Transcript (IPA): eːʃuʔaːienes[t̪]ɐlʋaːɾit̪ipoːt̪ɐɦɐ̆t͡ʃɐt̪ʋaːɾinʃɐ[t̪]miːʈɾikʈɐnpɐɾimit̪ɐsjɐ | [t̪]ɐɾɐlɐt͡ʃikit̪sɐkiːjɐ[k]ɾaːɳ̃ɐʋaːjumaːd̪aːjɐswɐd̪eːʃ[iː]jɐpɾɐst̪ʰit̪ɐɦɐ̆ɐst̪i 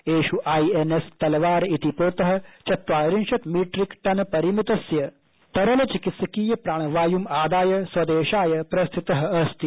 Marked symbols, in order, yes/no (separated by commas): yes, yes, yes, no, no